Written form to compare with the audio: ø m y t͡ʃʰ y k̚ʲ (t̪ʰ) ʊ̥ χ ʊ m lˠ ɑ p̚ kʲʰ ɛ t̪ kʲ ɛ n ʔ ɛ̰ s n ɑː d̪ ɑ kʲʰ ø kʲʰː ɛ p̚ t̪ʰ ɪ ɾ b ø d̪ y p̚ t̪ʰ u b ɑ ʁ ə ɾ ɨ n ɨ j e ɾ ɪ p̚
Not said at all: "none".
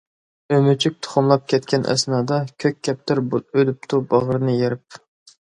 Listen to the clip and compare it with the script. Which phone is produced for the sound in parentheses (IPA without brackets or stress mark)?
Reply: t̪ʰ